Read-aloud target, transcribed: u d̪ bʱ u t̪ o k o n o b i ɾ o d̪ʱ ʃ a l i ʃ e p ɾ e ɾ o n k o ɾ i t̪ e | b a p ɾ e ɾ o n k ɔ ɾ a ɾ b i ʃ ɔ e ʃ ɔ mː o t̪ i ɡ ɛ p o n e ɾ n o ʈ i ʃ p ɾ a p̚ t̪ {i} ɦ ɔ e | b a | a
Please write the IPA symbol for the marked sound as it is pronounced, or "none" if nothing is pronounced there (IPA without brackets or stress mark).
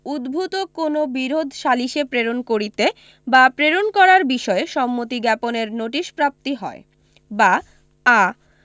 i